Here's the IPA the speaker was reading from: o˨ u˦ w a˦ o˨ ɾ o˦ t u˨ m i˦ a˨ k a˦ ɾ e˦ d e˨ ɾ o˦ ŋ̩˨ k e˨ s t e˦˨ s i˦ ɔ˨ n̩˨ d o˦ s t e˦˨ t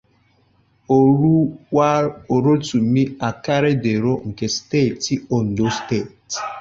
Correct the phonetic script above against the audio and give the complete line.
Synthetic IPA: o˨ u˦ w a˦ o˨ ɾ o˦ t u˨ m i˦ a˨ k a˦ ɾ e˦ d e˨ ɾ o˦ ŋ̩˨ k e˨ s t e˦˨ t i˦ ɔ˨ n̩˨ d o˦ s t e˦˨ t

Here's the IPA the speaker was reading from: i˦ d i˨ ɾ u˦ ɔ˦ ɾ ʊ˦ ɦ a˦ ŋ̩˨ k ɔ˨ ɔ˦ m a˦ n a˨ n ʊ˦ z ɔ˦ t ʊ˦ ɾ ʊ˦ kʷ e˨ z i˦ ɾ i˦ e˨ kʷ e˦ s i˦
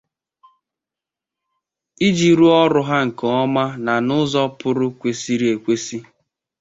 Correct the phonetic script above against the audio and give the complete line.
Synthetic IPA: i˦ d͡ʒ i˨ ɾ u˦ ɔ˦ ɾ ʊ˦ ɦ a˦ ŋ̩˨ k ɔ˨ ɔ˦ m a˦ n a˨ n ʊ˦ z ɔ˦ p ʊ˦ ɾ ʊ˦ kʷ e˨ s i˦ ɾ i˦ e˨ kʷ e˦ s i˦

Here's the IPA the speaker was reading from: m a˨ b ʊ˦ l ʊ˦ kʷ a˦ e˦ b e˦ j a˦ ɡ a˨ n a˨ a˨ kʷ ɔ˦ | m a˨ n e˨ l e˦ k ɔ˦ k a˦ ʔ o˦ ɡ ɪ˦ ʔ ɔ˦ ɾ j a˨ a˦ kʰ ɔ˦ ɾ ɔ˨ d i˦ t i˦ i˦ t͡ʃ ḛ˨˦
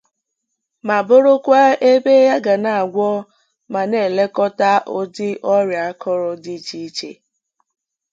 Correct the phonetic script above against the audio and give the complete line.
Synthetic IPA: m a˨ b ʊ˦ ɾ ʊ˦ kʷ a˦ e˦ b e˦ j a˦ ɡ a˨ n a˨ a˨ ɡʷ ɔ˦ | m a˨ n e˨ l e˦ k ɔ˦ t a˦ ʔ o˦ d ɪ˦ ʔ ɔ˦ ɾ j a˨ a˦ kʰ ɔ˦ ɾ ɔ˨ d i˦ t͡ʃ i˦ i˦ t͡ʃ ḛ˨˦

